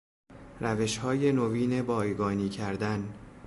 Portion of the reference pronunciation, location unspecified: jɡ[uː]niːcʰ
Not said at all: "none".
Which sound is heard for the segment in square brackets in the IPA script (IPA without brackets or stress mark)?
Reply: ɒː